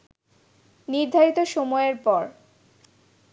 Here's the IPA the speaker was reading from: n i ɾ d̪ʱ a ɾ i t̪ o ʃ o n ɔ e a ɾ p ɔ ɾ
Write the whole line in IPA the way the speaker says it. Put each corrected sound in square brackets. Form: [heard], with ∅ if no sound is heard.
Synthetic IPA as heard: n i ɾ d̪ʱ a ɾ i t̪ o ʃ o [m] ɔ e [e] ɾ p ɔ ɾ